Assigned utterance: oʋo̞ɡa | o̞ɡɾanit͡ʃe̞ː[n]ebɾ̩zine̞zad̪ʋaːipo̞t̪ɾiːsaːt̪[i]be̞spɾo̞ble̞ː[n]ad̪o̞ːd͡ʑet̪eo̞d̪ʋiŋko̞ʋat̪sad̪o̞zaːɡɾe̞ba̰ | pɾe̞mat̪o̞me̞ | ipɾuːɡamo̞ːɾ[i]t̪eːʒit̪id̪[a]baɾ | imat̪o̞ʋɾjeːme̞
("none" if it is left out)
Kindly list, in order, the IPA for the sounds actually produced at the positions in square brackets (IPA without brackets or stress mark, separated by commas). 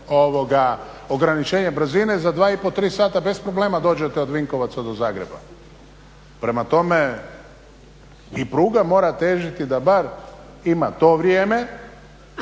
ɲ, a, m, a, a